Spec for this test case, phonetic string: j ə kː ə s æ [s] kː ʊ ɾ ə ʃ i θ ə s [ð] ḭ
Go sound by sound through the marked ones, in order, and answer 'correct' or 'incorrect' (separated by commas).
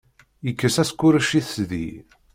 correct, correct